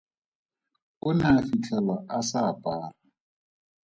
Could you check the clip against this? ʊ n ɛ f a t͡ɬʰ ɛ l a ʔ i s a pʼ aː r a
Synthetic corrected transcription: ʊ n a f i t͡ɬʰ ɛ l a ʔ a s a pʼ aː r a